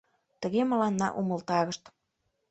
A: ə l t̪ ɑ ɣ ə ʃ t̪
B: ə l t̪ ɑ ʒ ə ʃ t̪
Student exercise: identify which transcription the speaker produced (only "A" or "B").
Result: A